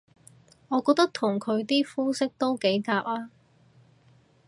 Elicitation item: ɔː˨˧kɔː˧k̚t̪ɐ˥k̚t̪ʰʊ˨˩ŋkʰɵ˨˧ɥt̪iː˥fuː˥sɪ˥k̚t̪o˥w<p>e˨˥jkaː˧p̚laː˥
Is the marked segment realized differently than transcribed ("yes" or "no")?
yes